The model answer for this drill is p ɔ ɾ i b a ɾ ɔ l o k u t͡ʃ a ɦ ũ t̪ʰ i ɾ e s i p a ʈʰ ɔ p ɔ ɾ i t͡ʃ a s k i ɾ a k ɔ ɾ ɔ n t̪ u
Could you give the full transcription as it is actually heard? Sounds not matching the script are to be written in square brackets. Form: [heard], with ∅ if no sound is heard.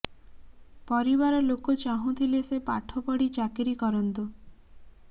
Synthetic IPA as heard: p ɔ ɾ i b a ɾ ɔ l o k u t͡ʃ a ɦ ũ t̪ʰ i [l] e s [e] p a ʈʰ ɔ p ɔ [ɽ] i t͡ʃ a [∅] k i ɾ [i] k ɔ ɾ ɔ n t̪ u